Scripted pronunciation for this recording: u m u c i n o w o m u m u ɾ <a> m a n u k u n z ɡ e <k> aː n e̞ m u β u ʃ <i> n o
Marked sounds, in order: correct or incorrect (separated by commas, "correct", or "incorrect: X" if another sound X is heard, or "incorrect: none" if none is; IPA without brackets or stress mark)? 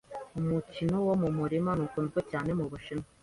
incorrect: i, incorrect: c, correct